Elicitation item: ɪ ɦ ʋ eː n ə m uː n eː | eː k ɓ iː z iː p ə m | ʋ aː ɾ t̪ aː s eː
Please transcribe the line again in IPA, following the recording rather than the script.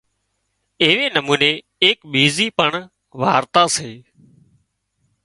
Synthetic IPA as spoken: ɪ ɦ ʋ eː n ə m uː n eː | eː k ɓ iː z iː p ə ɳ | ʋ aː ɾ t̪ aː s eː